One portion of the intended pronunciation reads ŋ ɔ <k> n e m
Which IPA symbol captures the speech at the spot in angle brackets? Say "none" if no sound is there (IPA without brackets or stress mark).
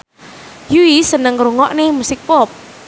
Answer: ʔ